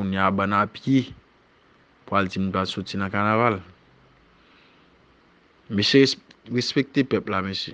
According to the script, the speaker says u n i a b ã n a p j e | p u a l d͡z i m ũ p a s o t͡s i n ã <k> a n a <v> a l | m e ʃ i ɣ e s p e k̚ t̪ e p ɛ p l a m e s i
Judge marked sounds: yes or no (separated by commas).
yes, yes